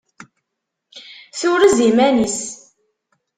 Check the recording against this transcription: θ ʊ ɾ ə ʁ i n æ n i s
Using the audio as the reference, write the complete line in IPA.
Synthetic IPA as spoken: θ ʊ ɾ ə z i m æ n i s